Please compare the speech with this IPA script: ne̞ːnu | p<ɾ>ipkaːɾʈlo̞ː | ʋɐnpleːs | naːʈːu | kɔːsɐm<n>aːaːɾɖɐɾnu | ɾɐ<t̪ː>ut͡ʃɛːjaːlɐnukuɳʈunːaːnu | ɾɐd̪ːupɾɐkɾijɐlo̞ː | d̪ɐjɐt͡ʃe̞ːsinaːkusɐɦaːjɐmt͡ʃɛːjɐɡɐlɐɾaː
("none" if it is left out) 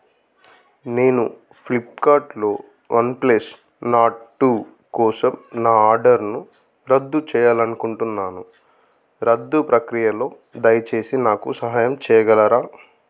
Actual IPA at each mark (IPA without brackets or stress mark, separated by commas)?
l, n, d̪ː